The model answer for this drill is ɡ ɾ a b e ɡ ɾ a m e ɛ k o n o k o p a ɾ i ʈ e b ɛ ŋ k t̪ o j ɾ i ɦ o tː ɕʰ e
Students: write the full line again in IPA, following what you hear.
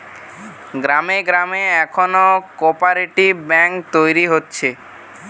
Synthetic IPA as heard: ɡ ɾ a m e ɡ ɾ a m e ɛ kʰ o n o k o p a ɾ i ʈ i b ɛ ŋ k t̪ o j ɾ i ɦ o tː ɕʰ e